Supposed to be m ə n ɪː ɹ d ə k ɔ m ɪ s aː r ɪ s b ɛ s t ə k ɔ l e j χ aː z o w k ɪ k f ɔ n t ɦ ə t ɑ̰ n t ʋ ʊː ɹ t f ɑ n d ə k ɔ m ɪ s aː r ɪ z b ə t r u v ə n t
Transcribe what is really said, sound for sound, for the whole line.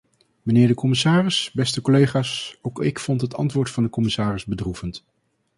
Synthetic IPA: m ə n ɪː ɹ d ə k ɔ m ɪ s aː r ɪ s b ɛ s t ə k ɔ l e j χ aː s o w k ɪ k f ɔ n t ɦ ə t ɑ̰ n t ʋ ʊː ɹ t f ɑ n d ə k ɔ m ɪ s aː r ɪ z b ə d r u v ə n t